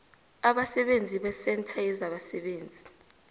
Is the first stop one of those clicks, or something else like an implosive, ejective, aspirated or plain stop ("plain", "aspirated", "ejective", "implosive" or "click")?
implosive